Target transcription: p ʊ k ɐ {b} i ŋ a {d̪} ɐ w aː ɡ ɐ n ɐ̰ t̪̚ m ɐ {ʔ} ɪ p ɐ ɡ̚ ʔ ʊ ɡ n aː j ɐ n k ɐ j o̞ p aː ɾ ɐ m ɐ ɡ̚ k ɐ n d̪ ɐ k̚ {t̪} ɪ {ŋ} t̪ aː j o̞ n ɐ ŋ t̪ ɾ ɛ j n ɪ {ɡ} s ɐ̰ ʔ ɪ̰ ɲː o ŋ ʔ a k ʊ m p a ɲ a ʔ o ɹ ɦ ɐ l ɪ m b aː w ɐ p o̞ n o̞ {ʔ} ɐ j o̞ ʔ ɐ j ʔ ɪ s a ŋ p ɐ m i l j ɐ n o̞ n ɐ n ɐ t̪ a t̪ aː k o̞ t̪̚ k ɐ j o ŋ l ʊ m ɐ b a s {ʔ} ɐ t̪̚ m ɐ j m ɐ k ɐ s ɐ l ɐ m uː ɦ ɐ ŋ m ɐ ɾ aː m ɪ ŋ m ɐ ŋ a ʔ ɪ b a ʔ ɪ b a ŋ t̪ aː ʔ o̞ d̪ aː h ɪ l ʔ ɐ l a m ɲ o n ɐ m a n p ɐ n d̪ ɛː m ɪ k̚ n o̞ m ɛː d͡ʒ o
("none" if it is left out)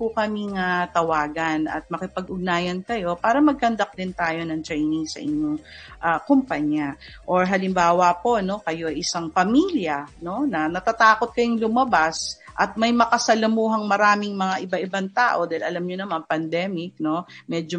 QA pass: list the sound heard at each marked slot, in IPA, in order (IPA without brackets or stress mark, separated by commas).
m, t̪, k, d̪, n, ŋ, k, ʔ